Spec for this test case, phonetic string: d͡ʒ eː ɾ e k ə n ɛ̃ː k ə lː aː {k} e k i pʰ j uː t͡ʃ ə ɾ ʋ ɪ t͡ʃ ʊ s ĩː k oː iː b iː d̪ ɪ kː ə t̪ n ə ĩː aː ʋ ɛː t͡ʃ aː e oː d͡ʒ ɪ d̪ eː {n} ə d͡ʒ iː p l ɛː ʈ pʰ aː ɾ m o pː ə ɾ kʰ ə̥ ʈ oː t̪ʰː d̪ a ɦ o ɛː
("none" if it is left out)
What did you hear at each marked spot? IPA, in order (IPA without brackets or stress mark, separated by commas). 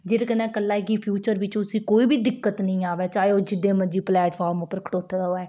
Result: none, m